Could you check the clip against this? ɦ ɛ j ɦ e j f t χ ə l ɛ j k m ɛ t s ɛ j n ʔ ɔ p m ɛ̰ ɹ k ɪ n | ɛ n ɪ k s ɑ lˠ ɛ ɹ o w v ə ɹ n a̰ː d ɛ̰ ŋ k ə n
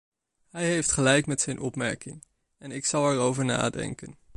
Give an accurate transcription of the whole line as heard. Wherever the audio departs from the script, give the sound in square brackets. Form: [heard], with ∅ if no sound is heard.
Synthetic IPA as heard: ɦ ɛ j ɦ e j f t χ ə l ɛ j k m ɛ t s ɛ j n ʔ ɔ p m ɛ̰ ɹ k ɪ [ŋ] | ɛ n ɪ k s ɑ lˠ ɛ ɹ o w v ə ɹ n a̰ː d ɛ̰ ŋ k ə n